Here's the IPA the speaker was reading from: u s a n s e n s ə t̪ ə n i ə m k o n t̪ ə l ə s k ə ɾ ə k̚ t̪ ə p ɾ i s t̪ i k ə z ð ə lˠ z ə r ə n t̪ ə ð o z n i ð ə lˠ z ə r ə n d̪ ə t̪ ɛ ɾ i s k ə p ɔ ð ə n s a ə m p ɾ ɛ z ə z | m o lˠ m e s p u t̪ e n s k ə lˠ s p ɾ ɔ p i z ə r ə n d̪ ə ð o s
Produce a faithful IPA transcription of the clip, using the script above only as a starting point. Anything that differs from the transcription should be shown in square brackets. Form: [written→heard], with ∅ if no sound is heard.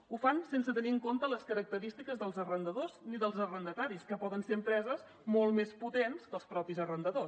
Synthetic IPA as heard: u [s→f] a n s e n s ə t̪ ə n i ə [m→ŋ] k o n t̪ ə l ə s k ə ɾ ə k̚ t̪ ə [p→∅] ɾ i s t̪ i k ə z ð ə lˠ z ə r ə n [t̪→d̪] ə ð o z n i ð ə lˠ z ə r ə n d̪ ə t̪ [ɛ→a] ɾ i s k ə p ɔ ð ə n s [a→e] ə m p ɾ ɛ z ə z | m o lˠ m e s p u t̪ e n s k ə lˠ s p ɾ ɔ p i z ə r ə n d̪ ə ð o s